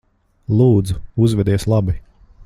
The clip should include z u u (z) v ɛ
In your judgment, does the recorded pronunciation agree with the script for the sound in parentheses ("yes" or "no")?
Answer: yes